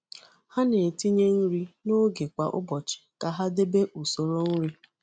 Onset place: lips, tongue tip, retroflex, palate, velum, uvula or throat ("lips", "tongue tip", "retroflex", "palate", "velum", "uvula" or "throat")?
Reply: throat